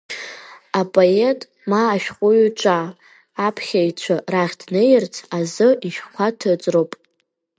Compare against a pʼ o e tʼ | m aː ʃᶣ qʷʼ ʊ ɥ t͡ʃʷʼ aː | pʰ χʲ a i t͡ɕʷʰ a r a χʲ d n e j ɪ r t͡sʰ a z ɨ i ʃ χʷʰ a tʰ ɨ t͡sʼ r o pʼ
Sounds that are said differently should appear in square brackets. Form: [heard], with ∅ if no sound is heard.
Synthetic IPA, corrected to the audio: a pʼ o e tʼ | m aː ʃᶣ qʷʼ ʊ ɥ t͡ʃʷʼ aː | pʰ χʲ a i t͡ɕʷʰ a r a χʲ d n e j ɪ r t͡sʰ a z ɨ i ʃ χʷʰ a tʰ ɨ t͡sʼ r o pʼ